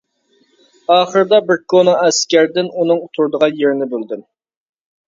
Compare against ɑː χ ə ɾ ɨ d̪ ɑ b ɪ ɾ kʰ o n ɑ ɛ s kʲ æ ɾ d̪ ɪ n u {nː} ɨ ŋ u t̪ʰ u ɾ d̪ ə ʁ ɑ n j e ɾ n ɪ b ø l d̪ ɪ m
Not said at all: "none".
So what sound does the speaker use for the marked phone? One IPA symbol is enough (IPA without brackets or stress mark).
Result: n